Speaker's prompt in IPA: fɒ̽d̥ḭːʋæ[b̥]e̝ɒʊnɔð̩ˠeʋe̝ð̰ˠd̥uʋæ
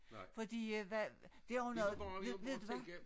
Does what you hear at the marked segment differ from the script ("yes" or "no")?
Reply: yes